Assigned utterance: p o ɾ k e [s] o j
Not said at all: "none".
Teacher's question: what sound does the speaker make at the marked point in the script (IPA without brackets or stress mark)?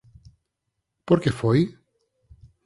f